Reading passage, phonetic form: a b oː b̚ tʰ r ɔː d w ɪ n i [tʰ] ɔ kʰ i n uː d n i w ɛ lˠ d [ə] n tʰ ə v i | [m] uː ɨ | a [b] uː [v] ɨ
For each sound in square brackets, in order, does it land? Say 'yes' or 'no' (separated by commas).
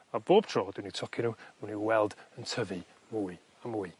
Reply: yes, yes, yes, no, no